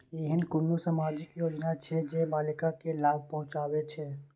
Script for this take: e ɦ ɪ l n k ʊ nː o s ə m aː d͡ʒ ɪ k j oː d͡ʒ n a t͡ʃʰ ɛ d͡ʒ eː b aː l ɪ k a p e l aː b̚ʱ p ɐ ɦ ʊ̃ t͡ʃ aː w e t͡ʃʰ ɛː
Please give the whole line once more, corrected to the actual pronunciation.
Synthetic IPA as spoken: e ɦ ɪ n k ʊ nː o s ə m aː d͡ʒ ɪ k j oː d͡ʒ n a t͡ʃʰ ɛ d͡ʒ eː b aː l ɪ k a k e l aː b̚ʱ p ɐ ɦ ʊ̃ t͡ʃ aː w e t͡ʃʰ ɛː